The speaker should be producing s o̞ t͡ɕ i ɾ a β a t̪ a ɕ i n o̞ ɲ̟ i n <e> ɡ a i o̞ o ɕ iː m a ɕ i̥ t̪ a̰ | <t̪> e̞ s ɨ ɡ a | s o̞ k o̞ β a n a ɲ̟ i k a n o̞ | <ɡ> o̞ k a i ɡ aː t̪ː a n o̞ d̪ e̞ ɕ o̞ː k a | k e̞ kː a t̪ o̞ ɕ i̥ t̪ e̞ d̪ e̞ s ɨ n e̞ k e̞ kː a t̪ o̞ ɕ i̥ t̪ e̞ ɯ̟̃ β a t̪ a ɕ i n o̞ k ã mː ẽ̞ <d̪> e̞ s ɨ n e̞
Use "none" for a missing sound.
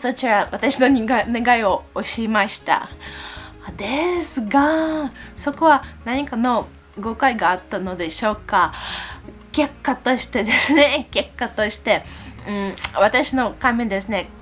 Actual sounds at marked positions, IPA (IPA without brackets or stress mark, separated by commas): e, d̪, ɡ, d̪